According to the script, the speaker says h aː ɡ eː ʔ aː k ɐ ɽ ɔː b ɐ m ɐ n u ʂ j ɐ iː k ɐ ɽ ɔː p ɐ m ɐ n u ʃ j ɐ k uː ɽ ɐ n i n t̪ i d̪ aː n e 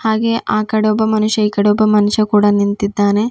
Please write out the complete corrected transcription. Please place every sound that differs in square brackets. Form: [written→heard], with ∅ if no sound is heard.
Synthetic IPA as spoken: h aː ɡ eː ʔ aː k ɐ ɽ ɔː b ɐ m ɐ n u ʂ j ɐ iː k ɐ ɽ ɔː [p→b] ɐ m ɐ n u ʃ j ɐ k uː ɽ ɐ n i n t̪ i [d̪→d̪ː] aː n e

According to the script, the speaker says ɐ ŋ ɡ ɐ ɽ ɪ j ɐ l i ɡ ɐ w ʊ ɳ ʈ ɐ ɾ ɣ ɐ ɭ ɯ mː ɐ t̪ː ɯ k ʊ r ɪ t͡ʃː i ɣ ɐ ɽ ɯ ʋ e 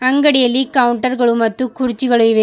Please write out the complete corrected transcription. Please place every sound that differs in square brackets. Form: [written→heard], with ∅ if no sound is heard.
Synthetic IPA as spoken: ɐ ŋ ɡ ɐ ɽ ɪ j ɐ l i [ɡ→k] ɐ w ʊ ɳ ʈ ɐ ɾ ɣ ɐ ɭ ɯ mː ɐ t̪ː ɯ k ʊ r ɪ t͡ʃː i ɣ ɐ [ɽ→ɭ] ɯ ʋ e

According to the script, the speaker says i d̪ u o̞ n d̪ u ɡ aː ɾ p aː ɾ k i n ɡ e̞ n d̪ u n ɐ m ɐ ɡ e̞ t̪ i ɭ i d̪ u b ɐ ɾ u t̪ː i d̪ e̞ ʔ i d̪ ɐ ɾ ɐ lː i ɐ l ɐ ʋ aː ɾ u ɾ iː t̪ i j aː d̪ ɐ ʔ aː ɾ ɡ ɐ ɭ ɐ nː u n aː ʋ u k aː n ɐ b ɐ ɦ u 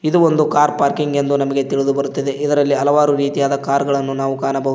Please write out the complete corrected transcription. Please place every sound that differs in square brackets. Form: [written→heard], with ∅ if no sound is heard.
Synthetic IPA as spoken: i d̪ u o̞ n d̪ u [ɡ→k] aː ɾ p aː ɾ k i [n→ŋ] ɡ e̞ n d̪ u n ɐ m ɐ ɡ e̞ t̪ i ɭ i d̪ u b ɐ ɾ u t̪ː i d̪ e̞ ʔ i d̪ ɐ ɾ ɐ lː i ɐ l ɐ ʋ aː ɾ u ɾ iː t̪ i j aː d̪ ɐ [ʔ→k] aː ɾ ɡ ɐ ɭ ɐ nː u n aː ʋ u k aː n ɐ b ɐ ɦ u

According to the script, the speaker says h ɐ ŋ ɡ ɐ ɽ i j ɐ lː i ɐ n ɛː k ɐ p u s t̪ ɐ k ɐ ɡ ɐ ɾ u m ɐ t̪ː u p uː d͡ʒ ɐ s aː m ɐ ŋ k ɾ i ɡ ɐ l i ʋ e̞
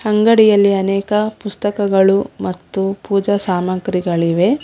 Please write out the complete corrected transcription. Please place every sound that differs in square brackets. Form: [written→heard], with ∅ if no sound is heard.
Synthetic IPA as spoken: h ɐ ŋ ɡ ɐ ɽ i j ɐ lː i ɐ n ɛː k ɐ p u s t̪ ɐ k ɐ ɡ ɐ [ɾ→ɭ] u m ɐ t̪ː u p uː d͡ʒ ɐ s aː m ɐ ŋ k ɾ i ɡ ɐ [l→ɭ] i ʋ e̞

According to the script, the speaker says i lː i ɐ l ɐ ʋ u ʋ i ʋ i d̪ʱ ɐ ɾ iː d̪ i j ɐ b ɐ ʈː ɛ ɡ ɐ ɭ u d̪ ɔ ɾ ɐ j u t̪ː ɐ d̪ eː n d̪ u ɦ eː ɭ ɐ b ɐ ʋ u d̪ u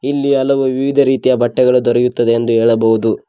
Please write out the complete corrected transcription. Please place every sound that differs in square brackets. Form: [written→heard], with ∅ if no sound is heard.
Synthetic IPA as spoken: i lː i ɐ l ɐ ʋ u ʋ i ʋ i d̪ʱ ɐ ɾ iː [d̪→t̪] i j ɐ b ɐ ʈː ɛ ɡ ɐ ɭ u d̪ ɔ ɾ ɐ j u t̪ː ɐ d̪ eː n d̪ u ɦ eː ɭ ɐ b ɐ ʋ u d̪ u

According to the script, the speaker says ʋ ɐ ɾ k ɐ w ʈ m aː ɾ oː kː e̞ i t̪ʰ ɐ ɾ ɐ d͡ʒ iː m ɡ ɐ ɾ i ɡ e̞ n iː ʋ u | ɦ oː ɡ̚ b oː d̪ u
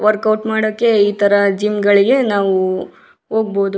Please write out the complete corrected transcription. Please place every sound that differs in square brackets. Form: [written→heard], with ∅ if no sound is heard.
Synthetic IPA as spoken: ʋ ɐ ɾ k ɐ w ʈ m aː [ɾ→ɽ] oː kː e̞ [i→iː] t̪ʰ ɐ ɾ ɐ d͡ʒ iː m ɡ ɐ [ɾ→ɭ] i ɡ e̞ n [iː→aː] ʋ u | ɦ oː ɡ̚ b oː d̪ u

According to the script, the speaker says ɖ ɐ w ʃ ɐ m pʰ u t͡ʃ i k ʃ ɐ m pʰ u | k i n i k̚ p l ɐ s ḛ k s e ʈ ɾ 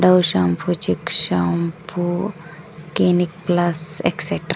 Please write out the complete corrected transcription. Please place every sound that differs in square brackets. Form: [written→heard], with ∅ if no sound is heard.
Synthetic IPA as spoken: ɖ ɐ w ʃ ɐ m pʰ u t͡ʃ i k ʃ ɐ m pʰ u | k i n i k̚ p l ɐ s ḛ k s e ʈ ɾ

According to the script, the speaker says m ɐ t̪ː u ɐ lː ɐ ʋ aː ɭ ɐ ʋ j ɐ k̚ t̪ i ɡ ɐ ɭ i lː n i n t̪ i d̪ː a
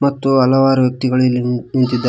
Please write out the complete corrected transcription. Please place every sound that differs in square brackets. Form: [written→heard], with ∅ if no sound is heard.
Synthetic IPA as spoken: m ɐ t̪ː u ɐ [lː→l] ɐ ʋ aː [ɭ→ɾ] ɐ ʋ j ɐ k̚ t̪ i ɡ ɐ ɭ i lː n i n t̪ i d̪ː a

